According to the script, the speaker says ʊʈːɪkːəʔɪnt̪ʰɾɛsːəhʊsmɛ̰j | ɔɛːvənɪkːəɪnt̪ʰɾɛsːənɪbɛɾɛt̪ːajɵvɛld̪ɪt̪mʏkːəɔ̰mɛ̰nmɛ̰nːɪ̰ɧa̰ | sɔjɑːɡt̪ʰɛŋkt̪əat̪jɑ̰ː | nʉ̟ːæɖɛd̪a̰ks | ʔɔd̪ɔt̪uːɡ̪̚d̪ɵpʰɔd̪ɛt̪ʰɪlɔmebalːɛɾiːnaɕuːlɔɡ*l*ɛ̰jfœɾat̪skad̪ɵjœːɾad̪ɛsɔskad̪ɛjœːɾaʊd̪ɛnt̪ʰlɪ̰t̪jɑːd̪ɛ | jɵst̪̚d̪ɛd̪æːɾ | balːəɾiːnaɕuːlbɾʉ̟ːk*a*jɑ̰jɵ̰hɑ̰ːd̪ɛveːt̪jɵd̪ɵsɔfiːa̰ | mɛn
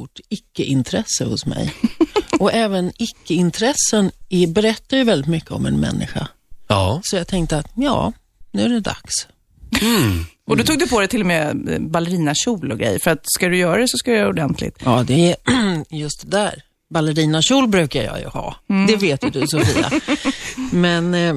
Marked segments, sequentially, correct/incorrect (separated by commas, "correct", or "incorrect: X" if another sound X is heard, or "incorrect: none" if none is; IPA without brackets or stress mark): incorrect: ɾ, correct